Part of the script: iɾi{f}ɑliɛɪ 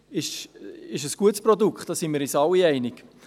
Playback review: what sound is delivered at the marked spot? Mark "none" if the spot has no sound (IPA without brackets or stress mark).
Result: s